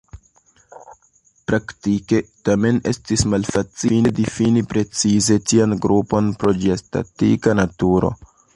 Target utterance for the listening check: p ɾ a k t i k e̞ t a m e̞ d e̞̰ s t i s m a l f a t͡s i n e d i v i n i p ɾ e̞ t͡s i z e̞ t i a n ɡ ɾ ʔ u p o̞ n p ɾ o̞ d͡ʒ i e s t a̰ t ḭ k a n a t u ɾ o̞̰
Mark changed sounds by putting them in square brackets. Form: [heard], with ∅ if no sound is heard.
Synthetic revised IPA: p ɾ a k t i k e̞ t a m e̞ [n] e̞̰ s t i s m a l f a t͡s i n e d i [f] i n i p ɾ e̞ t͡s i z e̞ t i a n ɡ ɾ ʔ u p o̞ n p ɾ o̞ d͡ʒ i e s t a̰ t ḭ k a n a t u ɾ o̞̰